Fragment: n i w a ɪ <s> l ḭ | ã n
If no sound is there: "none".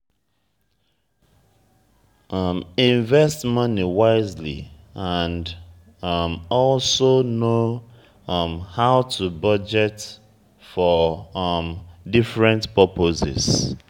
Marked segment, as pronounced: z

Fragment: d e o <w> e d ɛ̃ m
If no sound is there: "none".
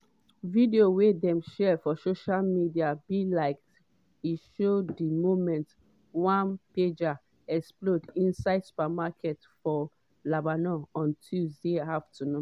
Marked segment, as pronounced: w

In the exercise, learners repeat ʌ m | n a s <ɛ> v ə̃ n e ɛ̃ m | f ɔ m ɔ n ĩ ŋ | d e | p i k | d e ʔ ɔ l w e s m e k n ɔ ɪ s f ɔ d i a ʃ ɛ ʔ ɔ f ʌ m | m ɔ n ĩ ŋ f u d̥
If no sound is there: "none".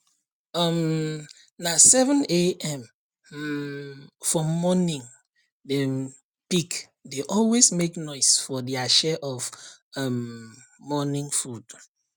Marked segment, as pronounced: ɛ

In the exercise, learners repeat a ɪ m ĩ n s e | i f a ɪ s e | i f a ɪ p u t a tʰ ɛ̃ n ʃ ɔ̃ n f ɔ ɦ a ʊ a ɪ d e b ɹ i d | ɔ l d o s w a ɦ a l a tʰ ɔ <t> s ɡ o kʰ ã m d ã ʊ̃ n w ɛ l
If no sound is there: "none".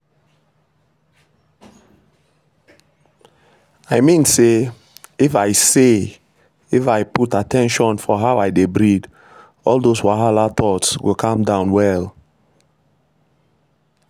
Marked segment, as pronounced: t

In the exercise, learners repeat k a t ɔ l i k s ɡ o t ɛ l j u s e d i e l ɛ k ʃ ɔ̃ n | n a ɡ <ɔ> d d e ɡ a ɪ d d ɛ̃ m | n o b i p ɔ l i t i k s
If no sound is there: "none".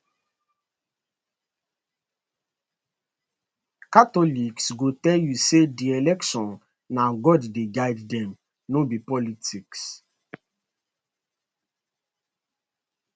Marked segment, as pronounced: ɔ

